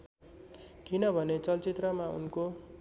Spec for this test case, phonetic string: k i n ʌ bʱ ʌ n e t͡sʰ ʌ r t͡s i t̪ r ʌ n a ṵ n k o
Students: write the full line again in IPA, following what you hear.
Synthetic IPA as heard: k i n ʌ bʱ ʌ n e t͡s ʌ l t͡s i t̪ r ʌ m a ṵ n k o